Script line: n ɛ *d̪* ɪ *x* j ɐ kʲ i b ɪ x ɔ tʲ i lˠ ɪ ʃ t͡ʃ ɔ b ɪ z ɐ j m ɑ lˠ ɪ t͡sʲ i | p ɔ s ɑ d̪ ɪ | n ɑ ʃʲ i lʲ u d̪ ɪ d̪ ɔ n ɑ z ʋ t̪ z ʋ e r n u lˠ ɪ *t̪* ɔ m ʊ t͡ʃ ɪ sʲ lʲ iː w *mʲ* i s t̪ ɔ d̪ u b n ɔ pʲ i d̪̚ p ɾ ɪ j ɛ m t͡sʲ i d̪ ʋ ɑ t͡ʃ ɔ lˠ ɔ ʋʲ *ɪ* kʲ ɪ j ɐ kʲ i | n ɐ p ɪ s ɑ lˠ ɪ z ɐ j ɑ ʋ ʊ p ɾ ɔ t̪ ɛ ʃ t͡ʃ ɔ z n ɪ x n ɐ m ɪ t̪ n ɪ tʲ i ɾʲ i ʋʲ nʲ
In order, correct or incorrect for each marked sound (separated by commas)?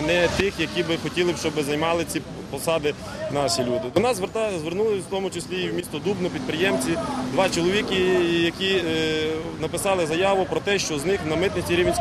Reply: incorrect, correct, correct, correct, incorrect